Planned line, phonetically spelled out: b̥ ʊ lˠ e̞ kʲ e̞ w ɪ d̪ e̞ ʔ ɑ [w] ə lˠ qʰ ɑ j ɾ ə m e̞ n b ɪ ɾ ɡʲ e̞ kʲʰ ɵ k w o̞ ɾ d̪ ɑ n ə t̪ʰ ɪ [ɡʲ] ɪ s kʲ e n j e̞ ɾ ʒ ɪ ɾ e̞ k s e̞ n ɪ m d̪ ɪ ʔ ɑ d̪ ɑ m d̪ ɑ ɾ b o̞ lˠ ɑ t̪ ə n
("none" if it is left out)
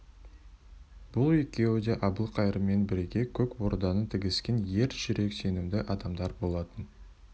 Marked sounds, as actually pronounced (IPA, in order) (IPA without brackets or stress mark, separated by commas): b, ɡʲ